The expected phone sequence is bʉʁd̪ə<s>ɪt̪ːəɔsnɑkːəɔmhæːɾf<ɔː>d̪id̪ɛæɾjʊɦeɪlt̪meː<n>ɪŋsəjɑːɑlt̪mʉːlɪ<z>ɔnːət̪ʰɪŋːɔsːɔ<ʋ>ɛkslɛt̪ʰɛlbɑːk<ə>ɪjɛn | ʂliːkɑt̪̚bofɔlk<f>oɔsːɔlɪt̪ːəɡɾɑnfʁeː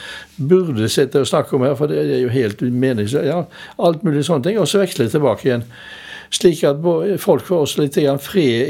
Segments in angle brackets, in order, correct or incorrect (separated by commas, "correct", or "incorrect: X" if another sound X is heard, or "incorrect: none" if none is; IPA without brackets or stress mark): correct, incorrect: ɔ, correct, incorrect: s, correct, correct, correct